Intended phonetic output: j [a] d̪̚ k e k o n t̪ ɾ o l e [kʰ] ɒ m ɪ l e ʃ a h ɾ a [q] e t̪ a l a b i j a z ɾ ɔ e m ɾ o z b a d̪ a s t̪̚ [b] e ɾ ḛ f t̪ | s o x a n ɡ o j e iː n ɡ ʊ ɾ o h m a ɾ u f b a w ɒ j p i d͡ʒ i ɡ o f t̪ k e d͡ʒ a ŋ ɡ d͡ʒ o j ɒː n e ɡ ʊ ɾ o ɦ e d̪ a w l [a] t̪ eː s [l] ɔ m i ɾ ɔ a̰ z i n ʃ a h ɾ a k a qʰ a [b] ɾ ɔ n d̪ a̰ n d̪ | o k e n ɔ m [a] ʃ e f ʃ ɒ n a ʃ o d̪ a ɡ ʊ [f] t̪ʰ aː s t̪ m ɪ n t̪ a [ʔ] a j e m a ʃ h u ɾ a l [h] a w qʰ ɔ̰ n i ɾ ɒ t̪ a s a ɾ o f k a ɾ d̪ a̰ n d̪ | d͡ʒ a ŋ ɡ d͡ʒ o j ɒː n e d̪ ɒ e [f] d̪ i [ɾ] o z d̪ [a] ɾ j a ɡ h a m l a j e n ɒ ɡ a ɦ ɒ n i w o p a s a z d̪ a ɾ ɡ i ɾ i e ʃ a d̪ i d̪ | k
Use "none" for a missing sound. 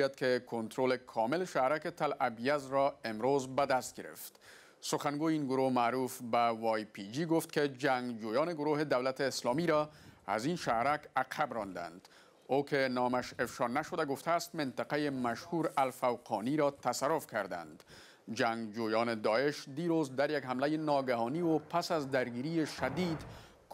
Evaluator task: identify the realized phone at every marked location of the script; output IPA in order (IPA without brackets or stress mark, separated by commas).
a, kʰ, k, ɡ, a, l, b, a, f, q, f, ʃ, ɾ, a